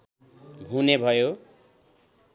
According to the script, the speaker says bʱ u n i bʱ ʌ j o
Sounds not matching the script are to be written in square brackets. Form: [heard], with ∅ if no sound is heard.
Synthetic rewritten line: bʱ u n [e] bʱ ʌ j o